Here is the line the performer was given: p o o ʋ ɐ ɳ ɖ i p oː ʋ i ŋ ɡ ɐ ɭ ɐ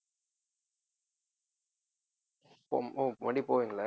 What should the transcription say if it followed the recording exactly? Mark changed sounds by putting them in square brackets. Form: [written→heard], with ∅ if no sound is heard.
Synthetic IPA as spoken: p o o ʋ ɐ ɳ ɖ i p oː ʋ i ŋ ɡ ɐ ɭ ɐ